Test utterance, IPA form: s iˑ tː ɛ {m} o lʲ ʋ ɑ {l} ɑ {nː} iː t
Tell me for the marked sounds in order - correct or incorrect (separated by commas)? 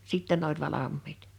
incorrect, correct, incorrect